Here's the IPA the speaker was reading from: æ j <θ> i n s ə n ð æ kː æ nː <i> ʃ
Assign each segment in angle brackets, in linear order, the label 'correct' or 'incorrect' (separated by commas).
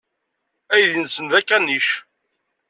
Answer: incorrect, correct